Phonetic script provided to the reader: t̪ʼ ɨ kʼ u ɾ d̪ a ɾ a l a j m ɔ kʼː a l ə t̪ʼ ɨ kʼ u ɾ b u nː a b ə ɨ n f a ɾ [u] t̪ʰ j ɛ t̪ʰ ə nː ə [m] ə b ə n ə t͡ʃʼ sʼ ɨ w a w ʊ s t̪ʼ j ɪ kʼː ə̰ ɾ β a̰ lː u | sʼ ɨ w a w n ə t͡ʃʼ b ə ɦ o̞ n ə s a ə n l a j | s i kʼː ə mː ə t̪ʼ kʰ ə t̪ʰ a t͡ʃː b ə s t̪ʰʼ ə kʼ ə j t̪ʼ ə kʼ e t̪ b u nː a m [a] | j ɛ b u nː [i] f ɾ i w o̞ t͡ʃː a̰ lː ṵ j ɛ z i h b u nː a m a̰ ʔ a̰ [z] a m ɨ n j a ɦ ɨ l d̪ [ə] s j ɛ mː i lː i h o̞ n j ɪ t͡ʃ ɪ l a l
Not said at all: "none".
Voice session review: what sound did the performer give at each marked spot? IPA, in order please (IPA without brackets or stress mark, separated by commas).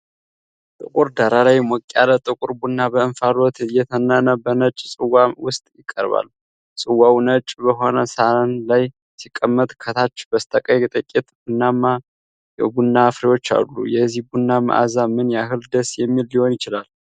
o, n, a, a, z, ə